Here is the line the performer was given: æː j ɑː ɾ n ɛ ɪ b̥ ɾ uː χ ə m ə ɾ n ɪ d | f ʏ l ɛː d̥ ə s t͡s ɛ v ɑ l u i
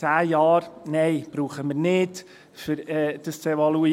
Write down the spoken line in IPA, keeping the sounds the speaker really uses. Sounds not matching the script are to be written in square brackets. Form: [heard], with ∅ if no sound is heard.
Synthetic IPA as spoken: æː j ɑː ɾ n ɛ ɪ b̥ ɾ uː χ ə m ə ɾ n ɪ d | f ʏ [ɾ] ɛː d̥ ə s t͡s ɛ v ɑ l u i

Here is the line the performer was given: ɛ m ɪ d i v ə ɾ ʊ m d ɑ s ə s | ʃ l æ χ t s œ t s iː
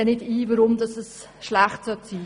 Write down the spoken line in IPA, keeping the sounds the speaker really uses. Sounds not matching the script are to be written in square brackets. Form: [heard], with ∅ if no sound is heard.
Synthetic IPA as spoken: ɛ [n] ɪ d [iː] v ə ɾ ʊ m d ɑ s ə s | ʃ l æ χ t s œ t s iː

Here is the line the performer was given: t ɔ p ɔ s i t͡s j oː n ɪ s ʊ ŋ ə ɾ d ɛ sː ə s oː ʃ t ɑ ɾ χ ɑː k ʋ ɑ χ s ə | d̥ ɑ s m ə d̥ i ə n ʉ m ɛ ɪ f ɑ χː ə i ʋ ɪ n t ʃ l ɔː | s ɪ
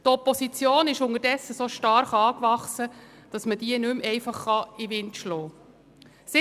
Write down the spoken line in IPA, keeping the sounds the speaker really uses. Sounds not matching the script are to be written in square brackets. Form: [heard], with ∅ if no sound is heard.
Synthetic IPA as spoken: t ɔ p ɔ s i t͡s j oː n ɪ [ʃ] ʊ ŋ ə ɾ d ɛ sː ə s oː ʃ t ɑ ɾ χ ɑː k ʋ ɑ χ s ə | d̥ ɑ s m ə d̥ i ə n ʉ m ɛ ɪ f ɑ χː [ɑ] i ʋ ɪ n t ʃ l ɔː | s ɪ

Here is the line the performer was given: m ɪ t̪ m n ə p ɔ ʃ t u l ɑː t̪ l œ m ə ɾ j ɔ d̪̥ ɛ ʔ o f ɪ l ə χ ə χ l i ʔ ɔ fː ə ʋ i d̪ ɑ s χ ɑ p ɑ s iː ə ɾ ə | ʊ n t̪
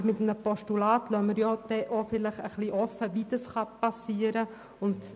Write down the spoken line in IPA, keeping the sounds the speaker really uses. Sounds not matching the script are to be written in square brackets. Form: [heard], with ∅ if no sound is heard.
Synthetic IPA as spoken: m ɪ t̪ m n ə p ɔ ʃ t u l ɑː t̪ l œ m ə ɾ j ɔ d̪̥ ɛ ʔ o f ɪ l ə χ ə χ l i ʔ ɔ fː ə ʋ i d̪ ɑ s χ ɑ p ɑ s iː ə ɾ ə | ʊ n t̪

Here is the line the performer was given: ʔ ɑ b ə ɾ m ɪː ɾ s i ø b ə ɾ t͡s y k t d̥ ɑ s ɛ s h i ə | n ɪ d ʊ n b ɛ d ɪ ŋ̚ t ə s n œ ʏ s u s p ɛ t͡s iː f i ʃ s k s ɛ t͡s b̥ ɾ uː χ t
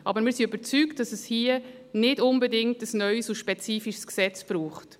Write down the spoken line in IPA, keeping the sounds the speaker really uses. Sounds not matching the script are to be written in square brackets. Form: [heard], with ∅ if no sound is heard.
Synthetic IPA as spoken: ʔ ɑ b ə ɾ m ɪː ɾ s i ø b ə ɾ t͡s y k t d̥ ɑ s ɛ s h i ə | n ɪ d ʊ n b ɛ d ɪ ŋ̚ t ə s n œ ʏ s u [ʃ] p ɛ t͡s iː f i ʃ s k s ɛ t͡s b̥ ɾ uː χ t

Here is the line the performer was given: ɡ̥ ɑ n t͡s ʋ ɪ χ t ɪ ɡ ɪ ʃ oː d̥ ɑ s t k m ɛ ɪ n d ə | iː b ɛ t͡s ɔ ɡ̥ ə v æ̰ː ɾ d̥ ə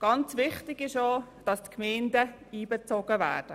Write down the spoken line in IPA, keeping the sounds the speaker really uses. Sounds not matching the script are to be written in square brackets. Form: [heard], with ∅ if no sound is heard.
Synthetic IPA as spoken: ɡ̥ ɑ n t͡s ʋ ɪ χ t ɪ ɡ ɪ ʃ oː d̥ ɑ s t k m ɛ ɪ n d ə | iː b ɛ t͡s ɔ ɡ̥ ə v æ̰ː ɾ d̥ ə

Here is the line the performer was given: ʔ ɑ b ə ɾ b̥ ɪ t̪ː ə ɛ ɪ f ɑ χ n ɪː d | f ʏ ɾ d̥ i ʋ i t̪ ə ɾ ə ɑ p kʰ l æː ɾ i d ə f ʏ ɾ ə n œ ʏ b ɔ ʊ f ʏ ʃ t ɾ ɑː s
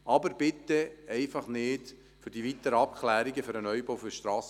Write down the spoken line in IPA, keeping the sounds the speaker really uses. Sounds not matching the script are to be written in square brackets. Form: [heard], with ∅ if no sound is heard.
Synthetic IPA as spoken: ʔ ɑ b ə ɾ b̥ ɪ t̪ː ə ɛ ɪ f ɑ χ n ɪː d | f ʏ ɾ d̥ i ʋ i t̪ ə ɾ ə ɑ p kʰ l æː ɾ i [ɡ] ə f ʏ ɾ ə n œ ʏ b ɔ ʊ f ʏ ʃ t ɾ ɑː s

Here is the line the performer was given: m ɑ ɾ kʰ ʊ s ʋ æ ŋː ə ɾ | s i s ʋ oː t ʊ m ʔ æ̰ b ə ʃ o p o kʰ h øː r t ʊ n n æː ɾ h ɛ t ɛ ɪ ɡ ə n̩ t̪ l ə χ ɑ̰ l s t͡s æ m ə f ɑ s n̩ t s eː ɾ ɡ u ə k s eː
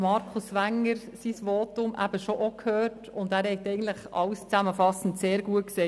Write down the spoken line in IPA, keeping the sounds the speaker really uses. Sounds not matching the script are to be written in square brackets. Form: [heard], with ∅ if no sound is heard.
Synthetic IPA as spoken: m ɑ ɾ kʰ ʊ s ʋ æ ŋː ə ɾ | s i s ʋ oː t ʊ m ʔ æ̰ b ə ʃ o [ʔ] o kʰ h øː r t ʊ n [d] æː ɾ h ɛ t ɛ ɪ ɡ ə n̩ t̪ l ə χ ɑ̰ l s t͡s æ m ə f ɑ s n̩ t s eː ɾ ɡ u ə k s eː

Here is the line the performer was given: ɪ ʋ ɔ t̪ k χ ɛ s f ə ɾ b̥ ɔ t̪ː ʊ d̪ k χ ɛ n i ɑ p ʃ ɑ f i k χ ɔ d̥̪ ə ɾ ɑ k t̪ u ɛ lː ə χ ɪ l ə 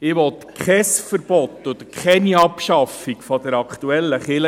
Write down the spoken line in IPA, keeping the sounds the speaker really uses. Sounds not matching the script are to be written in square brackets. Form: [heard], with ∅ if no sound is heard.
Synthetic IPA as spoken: ɪ ʋ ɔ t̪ k χ ɛ s f ə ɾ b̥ ɔ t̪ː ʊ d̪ k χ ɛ n i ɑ p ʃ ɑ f i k [f] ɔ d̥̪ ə ɾ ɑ k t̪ u ɛ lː ə χ ɪ l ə

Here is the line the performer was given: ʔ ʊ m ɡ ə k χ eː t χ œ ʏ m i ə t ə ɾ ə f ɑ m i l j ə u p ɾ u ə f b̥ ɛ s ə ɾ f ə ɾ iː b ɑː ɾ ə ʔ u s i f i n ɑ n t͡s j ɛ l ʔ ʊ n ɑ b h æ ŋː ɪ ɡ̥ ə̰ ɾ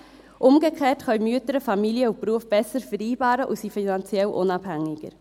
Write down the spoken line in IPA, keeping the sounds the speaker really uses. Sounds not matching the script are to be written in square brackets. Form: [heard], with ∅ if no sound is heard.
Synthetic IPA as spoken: ʔ ʊ m ɡ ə k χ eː t χ œ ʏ m [y] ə t ə ɾ ə f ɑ m i l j ə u p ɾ u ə f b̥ ɛ s ə ɾ f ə ɾ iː b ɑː ɾ ə ʔ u s i f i n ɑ n t͡s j ɛ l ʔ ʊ n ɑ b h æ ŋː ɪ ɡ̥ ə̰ ɾ

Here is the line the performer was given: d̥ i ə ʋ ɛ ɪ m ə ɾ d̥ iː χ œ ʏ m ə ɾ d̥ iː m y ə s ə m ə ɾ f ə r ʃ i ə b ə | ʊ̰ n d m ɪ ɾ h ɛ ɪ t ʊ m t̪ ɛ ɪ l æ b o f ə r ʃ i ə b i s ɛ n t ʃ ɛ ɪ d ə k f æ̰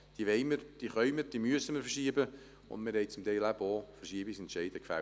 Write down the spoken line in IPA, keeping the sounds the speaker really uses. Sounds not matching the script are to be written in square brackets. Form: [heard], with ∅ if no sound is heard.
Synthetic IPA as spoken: d̥ i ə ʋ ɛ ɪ m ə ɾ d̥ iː χ œ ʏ m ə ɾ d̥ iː m y ə s ə m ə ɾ f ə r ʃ i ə b ə | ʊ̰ n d m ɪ ɾ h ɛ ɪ [t͡s] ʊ m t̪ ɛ ɪ l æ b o f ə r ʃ i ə b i s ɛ n t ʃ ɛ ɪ d ə k f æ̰

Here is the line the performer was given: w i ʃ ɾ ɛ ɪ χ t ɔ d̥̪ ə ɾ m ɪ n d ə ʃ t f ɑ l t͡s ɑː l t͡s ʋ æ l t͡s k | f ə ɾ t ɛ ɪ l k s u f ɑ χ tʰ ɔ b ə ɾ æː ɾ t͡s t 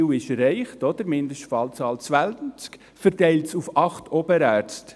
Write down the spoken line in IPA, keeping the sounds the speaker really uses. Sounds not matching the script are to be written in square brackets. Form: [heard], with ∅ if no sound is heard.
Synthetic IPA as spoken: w [ɪ] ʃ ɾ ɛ ɪ χ t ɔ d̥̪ ə ɾ m ɪ n d ə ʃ t f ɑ l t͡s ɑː l t͡s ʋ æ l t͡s k | f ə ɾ t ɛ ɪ l [t] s u f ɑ χ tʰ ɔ b ə ɾ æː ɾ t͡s t

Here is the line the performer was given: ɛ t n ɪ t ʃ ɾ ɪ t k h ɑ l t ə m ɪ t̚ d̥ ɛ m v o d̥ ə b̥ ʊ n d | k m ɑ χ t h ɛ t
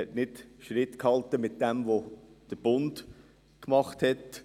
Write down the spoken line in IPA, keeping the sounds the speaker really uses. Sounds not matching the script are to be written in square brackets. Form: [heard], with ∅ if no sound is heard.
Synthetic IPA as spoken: ɛ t n ɪ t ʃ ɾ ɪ t k h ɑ l t ə m ɪ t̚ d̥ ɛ m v o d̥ ə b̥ ʊ n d | k m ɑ χ t h ɛ t

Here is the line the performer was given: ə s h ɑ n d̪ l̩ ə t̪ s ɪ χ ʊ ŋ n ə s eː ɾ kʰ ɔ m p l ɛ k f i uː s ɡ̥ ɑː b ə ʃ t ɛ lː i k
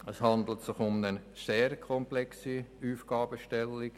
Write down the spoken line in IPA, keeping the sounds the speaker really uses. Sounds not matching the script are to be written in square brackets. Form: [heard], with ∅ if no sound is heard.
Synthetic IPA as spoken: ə s h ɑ n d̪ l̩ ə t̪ s ɪ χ ʊ [m] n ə s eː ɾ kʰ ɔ m p l ɛ k [s] i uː [f] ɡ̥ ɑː b ə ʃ t ɛ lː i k

